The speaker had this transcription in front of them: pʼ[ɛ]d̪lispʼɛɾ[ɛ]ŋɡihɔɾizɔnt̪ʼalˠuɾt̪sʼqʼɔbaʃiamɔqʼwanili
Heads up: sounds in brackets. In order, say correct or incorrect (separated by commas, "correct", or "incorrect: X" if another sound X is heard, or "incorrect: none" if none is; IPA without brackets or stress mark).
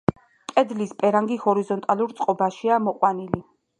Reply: correct, incorrect: a